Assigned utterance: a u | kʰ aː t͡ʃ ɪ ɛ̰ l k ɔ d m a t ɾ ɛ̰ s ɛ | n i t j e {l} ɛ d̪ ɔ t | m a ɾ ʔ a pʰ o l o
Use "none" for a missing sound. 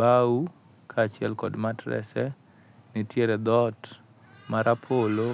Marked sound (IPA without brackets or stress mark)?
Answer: ɾ